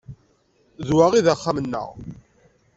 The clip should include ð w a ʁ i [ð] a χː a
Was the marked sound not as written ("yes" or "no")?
no